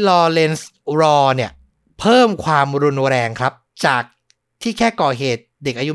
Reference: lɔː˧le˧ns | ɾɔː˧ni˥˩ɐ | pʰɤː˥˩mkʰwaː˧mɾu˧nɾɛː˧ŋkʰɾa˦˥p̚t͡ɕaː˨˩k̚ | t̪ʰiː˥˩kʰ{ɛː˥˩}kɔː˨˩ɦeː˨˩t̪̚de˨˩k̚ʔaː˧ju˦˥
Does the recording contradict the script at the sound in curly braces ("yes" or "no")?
no